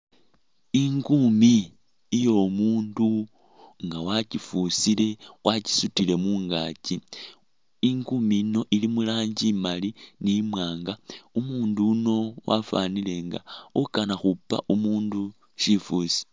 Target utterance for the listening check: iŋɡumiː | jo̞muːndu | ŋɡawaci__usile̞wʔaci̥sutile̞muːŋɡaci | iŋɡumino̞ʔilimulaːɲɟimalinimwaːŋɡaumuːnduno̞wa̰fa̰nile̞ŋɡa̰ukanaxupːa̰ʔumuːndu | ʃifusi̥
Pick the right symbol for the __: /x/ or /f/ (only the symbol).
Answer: f